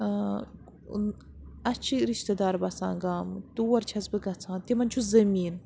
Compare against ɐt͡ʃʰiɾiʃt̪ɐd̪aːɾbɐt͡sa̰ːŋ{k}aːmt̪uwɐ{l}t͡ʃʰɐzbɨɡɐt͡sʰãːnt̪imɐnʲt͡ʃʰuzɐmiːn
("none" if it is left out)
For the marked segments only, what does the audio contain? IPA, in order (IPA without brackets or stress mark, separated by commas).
ɡ, ɾ